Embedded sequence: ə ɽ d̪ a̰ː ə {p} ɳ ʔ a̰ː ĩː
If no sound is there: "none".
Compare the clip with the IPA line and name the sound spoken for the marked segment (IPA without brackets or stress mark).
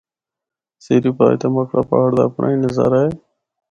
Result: p